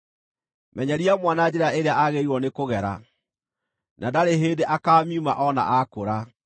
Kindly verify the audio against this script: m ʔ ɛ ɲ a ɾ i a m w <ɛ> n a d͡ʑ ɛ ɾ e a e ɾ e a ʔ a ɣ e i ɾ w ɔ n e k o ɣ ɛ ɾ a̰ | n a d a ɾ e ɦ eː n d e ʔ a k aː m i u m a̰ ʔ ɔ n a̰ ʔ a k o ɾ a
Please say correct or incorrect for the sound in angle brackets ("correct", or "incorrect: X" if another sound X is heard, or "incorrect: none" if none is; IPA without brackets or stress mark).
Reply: incorrect: a